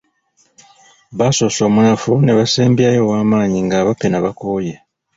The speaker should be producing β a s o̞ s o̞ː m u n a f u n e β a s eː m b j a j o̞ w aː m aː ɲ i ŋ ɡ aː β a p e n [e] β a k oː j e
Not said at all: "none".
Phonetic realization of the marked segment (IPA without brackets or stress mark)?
a